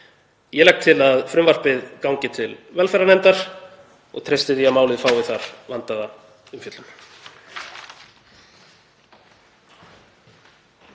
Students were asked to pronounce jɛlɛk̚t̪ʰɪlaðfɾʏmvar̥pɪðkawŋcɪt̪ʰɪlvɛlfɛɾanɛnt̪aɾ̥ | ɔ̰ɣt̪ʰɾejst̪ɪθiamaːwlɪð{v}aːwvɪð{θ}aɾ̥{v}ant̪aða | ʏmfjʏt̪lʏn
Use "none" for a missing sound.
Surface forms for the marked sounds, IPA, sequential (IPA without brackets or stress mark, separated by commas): f, θ, v